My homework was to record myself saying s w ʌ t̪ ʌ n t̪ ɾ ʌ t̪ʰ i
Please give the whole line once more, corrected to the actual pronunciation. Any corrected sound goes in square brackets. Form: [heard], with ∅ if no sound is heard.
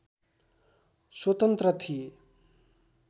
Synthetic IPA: s w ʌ t̪ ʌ n t̪ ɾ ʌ t̪ʰ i